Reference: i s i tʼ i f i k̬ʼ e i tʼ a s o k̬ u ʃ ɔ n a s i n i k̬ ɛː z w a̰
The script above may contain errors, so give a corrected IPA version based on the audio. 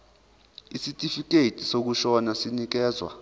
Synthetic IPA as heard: i s i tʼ i f i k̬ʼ e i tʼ i s o k̬ u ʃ ɔ n a s i n i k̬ ɛː z w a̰